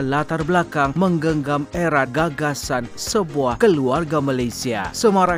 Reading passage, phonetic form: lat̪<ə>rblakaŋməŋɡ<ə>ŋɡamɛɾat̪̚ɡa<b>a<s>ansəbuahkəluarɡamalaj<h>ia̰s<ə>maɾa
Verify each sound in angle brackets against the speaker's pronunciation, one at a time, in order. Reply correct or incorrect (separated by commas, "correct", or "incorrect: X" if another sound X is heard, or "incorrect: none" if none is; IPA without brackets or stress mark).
incorrect: a, correct, incorrect: ɡ, correct, incorrect: s, correct